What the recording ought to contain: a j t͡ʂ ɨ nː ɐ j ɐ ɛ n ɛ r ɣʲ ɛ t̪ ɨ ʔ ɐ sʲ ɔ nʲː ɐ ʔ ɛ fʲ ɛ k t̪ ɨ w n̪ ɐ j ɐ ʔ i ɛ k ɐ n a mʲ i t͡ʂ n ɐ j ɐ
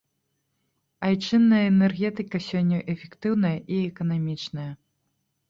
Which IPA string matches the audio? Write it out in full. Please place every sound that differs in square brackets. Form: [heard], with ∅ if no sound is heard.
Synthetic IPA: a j t͡ʂ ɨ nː ɐ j ɐ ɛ n ɛ r ɣʲ ɛ t̪ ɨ [k] ɐ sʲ ɔ nʲː ɐ ʔ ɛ fʲ ɛ k t̪ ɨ w n̪ ɐ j ɐ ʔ i ɛ k ɐ n a mʲ i t͡ʂ n ɐ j ɐ

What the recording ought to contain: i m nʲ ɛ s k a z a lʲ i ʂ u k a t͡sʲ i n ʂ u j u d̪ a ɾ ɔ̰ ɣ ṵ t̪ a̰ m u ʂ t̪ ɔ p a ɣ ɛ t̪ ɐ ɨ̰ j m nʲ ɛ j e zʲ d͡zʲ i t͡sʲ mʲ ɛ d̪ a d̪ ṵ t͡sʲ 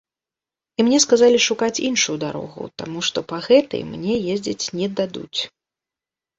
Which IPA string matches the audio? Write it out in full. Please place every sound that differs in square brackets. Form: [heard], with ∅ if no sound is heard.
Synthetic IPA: i m nʲ ɛ s k a z a lʲ i ʂ u k a t͡sʲ i n ʂ u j u d̪ a ɾ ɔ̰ ɣ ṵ t̪ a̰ m u ʂ t̪ ɔ p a ɣ ɛ t̪ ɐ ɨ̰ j m nʲ ɛ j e zʲ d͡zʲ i t͡sʲ [nʲ] ɛ d̪ a d̪ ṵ t͡sʲ

